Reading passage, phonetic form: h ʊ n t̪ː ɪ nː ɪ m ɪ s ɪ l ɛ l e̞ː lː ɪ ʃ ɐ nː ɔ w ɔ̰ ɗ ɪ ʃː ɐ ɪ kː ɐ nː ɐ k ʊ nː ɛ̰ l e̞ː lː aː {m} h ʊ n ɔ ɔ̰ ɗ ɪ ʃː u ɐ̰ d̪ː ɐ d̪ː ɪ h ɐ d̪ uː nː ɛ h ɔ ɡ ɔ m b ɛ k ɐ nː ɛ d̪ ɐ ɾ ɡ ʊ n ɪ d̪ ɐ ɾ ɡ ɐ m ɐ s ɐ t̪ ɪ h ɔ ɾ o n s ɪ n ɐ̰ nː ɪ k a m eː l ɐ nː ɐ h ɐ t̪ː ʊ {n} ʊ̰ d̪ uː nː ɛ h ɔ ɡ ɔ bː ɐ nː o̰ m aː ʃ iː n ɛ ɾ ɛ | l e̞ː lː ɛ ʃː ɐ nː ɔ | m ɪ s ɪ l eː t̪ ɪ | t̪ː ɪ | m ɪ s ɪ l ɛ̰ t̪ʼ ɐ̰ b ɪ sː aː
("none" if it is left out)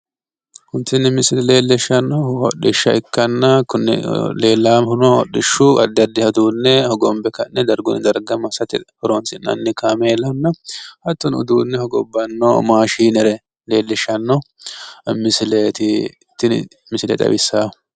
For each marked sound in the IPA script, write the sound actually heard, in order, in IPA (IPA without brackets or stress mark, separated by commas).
m, n